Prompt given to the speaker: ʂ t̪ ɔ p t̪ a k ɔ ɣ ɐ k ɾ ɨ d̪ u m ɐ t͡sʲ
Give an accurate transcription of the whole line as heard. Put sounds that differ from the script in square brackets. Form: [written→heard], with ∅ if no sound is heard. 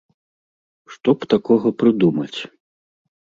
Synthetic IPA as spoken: ʂ t̪ ɔ p t̪ a k ɔ ɣ ɐ [k→p] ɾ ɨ d̪ u m ɐ t͡sʲ